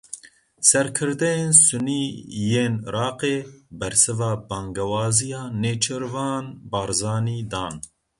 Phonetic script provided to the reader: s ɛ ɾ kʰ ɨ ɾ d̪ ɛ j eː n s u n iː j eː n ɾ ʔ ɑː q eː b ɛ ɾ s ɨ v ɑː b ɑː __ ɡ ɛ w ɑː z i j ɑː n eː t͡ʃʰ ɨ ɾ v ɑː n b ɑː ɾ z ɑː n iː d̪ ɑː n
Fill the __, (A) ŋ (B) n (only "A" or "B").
A